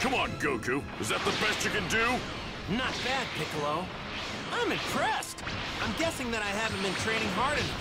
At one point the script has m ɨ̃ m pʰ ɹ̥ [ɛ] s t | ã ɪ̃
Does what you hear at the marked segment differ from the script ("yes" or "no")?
no